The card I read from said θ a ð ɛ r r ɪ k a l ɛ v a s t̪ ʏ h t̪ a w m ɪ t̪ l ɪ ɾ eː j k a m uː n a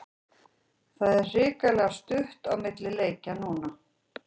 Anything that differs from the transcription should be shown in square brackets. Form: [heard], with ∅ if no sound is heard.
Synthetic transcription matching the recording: θ a ð ɛ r r [ɪː] k a l ɛ [ɣ] a s t̪ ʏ h t̪ a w m ɪ t̪ l ɪ [l] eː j [c] a [n] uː n a